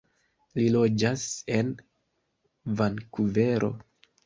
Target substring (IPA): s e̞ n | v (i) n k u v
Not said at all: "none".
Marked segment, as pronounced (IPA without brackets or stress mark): a